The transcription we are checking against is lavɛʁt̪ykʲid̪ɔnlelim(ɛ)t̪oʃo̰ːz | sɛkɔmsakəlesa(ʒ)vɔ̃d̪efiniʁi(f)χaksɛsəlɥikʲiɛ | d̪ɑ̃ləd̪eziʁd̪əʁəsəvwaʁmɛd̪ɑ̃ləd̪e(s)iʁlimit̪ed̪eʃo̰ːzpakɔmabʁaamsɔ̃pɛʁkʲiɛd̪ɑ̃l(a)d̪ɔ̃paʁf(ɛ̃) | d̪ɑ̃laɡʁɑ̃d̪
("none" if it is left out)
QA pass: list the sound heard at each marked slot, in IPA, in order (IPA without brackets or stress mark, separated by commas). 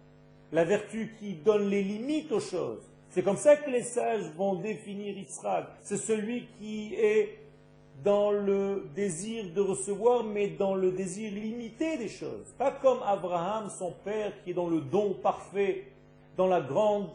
i, ʒ, s, z, ə, ɛ